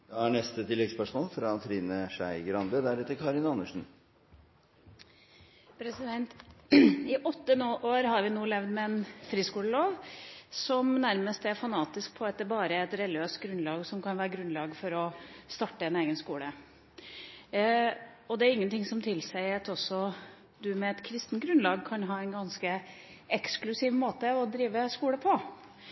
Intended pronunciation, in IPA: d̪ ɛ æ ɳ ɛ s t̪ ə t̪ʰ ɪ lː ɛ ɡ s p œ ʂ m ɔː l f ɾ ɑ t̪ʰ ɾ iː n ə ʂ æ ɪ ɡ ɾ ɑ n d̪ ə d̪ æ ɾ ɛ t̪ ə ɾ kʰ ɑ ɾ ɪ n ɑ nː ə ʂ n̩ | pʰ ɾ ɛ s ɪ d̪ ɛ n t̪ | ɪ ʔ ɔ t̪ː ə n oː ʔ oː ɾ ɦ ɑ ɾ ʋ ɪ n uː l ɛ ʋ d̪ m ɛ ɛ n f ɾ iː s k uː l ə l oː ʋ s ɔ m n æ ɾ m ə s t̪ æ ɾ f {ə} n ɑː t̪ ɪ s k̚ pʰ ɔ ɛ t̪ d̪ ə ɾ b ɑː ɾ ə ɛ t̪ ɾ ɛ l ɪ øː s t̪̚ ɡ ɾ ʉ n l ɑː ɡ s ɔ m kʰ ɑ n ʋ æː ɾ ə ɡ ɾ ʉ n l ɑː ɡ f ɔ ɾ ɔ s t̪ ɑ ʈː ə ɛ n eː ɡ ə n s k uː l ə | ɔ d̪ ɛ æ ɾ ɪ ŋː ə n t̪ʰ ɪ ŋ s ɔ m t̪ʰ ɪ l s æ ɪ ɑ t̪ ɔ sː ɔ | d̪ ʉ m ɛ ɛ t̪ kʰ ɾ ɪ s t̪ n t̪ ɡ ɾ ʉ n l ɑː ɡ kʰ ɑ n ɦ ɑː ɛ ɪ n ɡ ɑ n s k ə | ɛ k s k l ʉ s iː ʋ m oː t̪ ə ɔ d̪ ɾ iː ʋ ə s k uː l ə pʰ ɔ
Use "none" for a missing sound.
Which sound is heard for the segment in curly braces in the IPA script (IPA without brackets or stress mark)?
ɑ